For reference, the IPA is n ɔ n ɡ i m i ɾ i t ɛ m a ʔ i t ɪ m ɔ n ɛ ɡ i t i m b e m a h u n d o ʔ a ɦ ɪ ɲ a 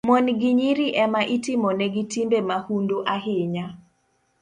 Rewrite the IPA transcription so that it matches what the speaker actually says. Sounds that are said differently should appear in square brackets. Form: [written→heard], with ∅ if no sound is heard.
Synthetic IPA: [n→m] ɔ n ɡ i [m→ɲ] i ɾ i [t→ʔ] ɛ m a ʔ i t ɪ m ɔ n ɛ ɡ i t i m b e m a h u n d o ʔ a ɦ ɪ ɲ a